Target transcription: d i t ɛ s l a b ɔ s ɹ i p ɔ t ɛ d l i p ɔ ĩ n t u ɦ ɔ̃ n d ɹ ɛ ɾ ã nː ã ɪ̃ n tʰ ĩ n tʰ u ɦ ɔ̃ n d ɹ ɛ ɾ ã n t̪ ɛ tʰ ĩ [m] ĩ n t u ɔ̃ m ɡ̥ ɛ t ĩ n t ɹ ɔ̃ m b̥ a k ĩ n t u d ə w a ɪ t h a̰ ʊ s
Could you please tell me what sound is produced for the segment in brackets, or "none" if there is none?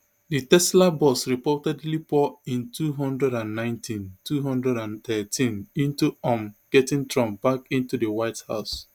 n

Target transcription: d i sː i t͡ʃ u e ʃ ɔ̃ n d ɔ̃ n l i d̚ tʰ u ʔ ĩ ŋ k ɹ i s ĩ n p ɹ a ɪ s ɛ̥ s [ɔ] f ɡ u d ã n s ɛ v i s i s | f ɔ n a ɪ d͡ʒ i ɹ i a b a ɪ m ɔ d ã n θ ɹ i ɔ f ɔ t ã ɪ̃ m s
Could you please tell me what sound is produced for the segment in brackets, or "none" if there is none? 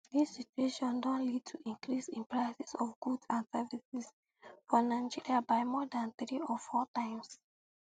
ɔ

